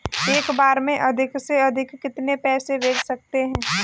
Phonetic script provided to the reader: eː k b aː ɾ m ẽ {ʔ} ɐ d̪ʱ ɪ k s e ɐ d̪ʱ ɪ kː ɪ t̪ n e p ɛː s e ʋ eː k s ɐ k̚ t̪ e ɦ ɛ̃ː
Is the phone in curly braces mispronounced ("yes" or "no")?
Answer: no